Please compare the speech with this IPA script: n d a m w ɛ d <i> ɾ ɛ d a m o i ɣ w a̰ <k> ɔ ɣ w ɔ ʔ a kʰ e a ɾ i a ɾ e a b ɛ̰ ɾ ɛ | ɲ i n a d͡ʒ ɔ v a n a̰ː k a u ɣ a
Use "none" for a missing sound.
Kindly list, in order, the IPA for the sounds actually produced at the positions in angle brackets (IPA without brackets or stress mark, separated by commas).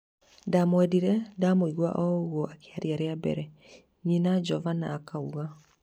i, ʔ